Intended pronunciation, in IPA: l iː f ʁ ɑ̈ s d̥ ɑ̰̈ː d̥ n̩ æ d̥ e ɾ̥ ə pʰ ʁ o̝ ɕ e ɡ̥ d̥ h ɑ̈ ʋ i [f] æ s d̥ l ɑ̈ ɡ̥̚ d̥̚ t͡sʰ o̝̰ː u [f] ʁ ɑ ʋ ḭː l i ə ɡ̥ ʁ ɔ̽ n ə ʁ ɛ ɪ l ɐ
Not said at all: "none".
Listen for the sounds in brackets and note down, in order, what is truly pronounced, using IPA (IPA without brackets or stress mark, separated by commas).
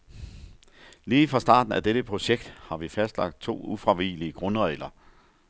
f, f